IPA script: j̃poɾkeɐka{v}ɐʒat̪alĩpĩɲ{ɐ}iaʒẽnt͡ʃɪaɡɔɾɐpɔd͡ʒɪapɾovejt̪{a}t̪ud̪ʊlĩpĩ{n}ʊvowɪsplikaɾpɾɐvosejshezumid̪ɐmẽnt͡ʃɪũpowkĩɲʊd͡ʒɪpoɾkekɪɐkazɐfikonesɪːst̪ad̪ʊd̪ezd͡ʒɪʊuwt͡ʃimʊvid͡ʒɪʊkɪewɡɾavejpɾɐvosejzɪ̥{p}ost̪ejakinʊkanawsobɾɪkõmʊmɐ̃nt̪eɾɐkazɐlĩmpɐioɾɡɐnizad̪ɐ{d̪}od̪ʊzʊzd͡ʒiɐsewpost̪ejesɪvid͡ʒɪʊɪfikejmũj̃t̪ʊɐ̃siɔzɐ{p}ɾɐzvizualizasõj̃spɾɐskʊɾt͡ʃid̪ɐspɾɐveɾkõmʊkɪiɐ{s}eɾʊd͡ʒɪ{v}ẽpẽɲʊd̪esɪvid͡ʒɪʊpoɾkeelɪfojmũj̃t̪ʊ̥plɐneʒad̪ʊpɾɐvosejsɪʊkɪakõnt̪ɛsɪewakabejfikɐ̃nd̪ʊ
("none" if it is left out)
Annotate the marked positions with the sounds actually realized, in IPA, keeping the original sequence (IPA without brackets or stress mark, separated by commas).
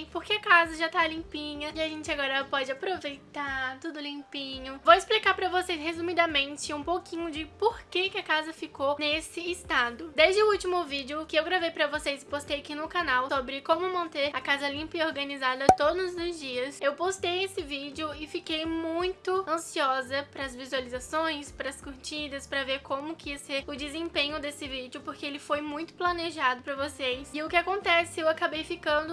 z, ɐ, a, ɲ, p, t̪, p, s, z